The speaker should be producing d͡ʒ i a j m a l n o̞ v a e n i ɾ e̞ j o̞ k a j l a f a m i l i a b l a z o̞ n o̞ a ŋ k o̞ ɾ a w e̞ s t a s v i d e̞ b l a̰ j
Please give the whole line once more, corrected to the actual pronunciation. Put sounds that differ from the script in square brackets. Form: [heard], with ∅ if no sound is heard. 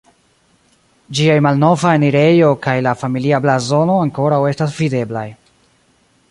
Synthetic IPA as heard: d͡ʒ i a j m a l n o̞ v a e n i ɾ e̞ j o̞ k a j l a f a m i l i a b l a z o̞ n o̞ a ŋ k o̞ ɾ a w e̞ s t a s v i d e̞ b l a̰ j